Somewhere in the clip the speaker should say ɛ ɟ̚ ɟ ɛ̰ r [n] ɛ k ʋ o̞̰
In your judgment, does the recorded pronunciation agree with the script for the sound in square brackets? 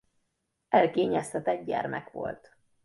no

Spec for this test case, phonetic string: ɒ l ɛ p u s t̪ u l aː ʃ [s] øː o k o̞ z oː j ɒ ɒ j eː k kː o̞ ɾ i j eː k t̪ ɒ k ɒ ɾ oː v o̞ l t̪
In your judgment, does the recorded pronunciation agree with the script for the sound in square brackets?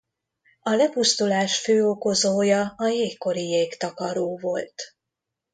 no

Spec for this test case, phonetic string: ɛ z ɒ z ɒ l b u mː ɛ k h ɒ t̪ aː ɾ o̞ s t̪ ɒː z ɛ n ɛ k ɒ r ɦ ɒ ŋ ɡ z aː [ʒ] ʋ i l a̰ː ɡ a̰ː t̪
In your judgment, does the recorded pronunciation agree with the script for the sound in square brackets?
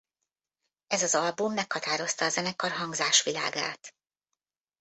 no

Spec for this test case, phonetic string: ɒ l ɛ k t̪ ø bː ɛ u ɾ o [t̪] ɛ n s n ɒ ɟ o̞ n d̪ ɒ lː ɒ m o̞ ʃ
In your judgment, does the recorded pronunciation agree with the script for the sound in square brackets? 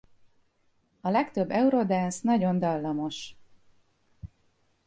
no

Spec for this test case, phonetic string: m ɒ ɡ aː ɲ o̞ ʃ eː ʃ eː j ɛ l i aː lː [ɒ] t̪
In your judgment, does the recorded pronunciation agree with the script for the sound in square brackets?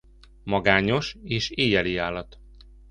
yes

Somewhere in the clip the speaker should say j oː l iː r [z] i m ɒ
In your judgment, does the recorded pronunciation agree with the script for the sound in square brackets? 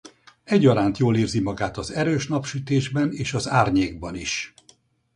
yes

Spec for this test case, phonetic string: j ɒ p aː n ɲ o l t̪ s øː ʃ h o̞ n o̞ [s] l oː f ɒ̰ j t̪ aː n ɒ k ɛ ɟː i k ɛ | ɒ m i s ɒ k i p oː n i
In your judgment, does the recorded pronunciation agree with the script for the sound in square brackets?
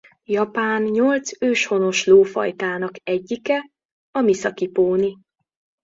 no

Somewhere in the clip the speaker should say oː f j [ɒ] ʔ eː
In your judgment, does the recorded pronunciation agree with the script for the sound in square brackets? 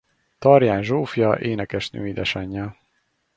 yes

